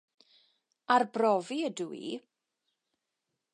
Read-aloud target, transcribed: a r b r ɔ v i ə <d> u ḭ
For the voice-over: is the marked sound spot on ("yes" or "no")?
yes